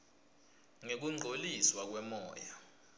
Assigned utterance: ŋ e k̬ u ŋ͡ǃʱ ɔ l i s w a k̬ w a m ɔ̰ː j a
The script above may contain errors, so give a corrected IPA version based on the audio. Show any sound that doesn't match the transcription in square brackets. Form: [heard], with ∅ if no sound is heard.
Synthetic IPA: ŋ e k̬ u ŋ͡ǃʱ [o] l i s w a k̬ w [ɛ] m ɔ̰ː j a